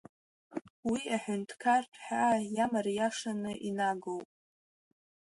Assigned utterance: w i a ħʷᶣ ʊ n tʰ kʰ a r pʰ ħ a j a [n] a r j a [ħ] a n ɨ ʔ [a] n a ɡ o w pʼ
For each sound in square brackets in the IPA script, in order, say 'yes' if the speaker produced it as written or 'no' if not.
no, no, no

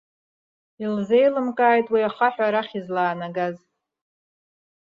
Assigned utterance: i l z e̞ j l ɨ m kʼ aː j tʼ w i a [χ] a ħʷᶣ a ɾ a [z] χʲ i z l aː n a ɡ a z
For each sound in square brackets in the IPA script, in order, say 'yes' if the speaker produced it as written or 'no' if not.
yes, no

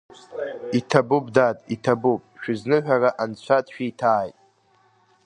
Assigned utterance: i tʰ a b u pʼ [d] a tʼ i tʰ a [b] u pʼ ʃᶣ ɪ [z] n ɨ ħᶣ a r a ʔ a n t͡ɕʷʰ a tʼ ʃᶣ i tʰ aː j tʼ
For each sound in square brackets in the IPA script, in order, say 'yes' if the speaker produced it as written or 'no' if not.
yes, yes, yes

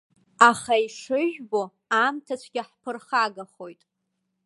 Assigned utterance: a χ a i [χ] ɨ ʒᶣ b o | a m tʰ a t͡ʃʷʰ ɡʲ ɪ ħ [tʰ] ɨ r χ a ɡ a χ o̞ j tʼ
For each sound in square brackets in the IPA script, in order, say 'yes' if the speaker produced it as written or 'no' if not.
no, no

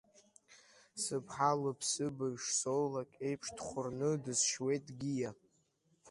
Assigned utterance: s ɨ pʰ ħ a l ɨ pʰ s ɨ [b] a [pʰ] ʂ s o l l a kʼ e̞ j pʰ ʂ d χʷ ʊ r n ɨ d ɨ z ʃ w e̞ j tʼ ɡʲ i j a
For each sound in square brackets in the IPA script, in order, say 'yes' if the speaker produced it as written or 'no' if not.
yes, no

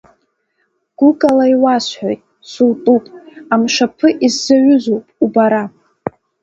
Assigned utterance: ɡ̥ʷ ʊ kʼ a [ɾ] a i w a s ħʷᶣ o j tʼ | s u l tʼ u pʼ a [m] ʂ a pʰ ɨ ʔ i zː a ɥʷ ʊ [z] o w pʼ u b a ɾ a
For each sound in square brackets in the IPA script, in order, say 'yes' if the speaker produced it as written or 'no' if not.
no, yes, yes

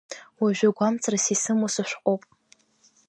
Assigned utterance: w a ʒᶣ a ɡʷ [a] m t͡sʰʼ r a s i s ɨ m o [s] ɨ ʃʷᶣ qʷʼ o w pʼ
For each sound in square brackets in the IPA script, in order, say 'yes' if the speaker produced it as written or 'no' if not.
yes, yes

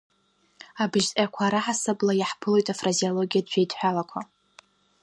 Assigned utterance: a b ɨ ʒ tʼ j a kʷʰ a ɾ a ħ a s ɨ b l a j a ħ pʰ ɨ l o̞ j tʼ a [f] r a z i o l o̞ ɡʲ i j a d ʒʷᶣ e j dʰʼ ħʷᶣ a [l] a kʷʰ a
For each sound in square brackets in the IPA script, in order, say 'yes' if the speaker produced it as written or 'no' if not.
yes, yes

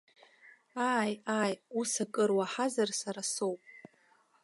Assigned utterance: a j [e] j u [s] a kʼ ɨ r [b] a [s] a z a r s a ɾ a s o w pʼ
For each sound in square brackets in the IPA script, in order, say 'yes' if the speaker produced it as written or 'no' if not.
no, yes, no, no

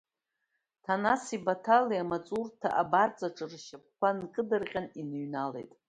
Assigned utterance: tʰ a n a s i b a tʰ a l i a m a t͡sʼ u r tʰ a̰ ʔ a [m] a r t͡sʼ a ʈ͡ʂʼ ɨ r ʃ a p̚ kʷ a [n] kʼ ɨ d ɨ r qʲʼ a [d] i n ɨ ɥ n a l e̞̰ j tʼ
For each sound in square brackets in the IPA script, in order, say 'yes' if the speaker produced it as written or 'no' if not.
no, yes, no

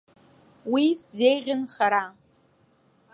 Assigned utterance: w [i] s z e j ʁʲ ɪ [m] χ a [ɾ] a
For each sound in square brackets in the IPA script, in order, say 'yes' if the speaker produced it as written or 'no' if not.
yes, no, yes

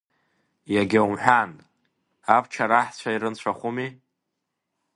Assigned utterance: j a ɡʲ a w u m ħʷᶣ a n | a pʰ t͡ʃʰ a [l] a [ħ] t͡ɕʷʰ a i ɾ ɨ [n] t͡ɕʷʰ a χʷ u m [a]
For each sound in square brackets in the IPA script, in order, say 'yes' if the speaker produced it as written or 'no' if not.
no, yes, yes, no

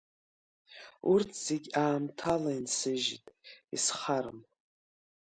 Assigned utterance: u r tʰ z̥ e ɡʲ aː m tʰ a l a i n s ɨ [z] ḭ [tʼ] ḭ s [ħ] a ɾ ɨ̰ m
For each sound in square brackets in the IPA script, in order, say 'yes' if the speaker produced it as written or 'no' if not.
no, yes, no

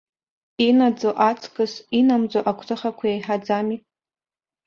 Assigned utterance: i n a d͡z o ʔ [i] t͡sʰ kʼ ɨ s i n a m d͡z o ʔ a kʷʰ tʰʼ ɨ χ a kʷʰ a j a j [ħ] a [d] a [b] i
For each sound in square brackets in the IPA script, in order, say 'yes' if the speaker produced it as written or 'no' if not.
no, yes, no, no

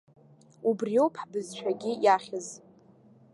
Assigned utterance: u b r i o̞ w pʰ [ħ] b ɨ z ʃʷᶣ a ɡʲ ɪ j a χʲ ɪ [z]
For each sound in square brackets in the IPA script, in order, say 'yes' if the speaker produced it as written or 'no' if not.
yes, yes

